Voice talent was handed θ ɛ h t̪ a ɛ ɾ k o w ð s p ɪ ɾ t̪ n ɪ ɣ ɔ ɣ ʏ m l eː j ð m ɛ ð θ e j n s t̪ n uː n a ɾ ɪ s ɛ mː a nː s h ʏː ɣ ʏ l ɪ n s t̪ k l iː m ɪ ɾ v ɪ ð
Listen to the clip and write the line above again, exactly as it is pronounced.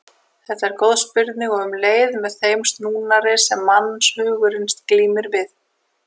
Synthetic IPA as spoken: θ ɛ h t̪ a ɛ ɾ k o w ð s p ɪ ɾ t̪ n ɪ ɣ ɔ ɣ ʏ m l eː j ð m ɛ ð θ e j m s t̪ n uː n a ɾ ɪ s ɛ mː a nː s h ʏː ɣ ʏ ɾ ɪ n s t̪ k l iː m ɪ ɾ v ɪ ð